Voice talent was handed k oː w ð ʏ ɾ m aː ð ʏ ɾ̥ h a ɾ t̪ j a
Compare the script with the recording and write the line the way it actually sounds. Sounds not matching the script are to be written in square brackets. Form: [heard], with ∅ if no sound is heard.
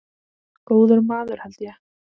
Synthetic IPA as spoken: k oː w ð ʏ ɾ m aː ð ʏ ɾ̥ h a [l] t̪ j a